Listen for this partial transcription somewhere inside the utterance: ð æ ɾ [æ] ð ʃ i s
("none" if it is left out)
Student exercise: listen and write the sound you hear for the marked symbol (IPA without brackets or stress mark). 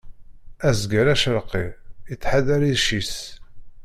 i